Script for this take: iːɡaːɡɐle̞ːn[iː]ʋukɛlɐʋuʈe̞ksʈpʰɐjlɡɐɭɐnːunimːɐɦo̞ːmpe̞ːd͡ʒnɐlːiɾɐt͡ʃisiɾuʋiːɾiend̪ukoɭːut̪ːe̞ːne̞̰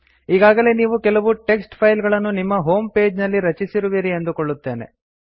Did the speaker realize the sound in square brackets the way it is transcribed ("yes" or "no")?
yes